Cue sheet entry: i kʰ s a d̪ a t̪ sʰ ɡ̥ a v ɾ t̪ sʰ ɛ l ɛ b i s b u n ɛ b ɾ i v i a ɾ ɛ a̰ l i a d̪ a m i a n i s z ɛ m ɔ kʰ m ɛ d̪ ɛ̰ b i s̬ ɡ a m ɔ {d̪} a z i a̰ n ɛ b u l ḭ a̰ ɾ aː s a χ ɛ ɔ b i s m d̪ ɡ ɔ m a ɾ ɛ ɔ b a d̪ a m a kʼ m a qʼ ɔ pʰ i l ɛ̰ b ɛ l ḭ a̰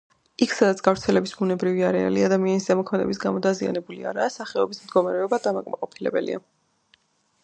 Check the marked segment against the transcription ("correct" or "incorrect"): correct